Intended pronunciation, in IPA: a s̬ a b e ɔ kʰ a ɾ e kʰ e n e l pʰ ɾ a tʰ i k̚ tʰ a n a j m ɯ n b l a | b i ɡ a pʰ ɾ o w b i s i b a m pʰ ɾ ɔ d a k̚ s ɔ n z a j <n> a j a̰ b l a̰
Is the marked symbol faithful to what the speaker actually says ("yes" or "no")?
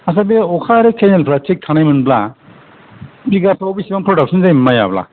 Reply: no